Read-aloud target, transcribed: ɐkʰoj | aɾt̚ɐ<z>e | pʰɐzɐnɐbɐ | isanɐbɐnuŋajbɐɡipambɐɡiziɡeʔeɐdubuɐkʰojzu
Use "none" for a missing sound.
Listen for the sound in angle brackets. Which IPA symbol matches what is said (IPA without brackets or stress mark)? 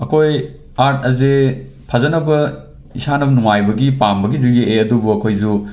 z